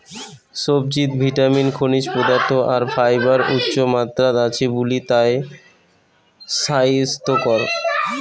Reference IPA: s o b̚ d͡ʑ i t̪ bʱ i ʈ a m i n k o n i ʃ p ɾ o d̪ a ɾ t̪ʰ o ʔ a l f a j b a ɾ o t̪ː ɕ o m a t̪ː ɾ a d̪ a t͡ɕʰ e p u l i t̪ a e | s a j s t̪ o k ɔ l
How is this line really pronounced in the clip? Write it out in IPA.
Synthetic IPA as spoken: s o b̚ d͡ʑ i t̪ bʱ i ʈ a m i n kʰ o n i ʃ p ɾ o d̪ a ɾ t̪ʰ o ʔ a ɾ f a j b a ɾ u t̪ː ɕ o m a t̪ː ɾ a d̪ a t͡ɕʰ e b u l i t̪ a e | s a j s t̪ o k ɔ ɾ